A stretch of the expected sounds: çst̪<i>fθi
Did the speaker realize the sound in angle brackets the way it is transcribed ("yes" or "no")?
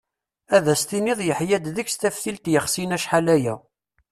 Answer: no